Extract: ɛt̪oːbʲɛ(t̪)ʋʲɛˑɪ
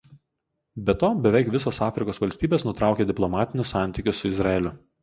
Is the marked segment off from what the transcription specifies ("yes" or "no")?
yes